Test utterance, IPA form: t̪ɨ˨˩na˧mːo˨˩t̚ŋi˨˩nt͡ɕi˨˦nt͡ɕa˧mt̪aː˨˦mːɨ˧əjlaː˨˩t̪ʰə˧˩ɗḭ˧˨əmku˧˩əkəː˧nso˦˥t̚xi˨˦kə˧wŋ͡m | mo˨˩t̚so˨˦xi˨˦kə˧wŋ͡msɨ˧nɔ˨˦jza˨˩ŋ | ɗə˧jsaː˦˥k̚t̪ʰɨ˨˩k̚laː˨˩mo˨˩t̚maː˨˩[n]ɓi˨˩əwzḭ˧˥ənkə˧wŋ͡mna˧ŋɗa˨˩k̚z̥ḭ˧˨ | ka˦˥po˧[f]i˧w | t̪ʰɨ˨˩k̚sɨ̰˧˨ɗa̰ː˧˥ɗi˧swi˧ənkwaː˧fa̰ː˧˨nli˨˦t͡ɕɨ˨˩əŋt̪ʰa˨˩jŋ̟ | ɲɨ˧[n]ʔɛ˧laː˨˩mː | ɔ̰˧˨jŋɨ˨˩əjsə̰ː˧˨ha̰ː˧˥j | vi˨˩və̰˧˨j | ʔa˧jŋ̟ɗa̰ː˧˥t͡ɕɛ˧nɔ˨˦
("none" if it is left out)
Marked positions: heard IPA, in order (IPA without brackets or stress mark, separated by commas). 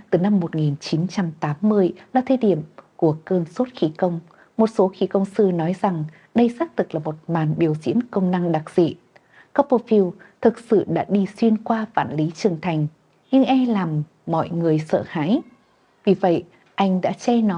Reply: n, f, ŋ